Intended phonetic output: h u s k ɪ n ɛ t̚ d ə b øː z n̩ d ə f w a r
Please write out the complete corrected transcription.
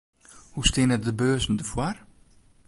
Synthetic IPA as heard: h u s t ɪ n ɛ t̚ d ə b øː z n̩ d ə f w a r

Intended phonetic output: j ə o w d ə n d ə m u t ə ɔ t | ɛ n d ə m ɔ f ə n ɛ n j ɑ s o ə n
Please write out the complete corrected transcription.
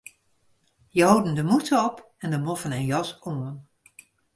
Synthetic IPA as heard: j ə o w d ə n d ə m u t ə ɔ p | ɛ n d ə m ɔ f ə n ɛ n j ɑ s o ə n

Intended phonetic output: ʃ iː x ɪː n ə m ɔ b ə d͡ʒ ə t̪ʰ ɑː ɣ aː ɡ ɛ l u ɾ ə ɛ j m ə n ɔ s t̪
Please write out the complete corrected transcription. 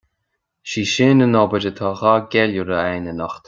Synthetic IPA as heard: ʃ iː ʃ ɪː n ə n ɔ b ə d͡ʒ ə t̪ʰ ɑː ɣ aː ɡ ɛ l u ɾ ə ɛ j n ə n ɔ x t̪

